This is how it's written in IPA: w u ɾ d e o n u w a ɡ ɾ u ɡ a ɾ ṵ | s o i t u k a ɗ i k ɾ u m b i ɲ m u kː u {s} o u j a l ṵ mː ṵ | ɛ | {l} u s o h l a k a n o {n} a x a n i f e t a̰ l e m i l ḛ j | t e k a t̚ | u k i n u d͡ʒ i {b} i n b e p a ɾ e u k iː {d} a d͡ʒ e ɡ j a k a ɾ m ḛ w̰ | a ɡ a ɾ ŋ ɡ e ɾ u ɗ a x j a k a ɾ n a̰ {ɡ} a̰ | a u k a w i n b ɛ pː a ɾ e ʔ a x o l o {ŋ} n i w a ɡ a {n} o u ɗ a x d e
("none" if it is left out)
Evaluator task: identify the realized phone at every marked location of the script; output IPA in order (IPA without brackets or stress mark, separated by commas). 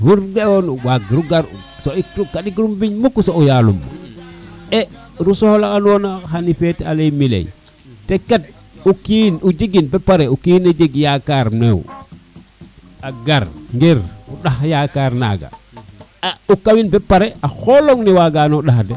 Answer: s, ɾ, n, ɡ, n, ɡ, ŋ, n